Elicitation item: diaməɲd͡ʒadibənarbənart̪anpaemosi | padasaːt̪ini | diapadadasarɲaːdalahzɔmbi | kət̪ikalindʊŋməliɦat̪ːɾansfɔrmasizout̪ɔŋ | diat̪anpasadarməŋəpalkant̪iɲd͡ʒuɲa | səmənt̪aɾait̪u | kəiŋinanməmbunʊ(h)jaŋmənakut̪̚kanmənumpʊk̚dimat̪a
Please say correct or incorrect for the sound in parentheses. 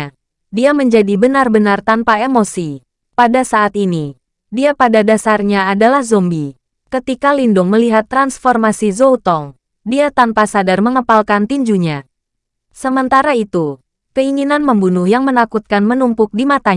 correct